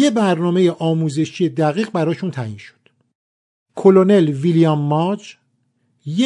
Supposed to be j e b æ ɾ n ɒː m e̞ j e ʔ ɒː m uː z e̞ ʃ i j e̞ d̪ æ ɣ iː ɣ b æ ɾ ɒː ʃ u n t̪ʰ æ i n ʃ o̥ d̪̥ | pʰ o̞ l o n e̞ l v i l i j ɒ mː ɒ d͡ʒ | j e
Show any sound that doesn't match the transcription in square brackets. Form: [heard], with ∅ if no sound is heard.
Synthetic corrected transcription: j e b æ ɾ n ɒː m e̞ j e ʔ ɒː m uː z e̞ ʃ i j e̞ d̪ æ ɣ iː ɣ b æ ɾ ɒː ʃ u n t̪ʰ æ i n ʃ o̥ d̪̥ | [kʰ] o̞ l o n e̞ l v i l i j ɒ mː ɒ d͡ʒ | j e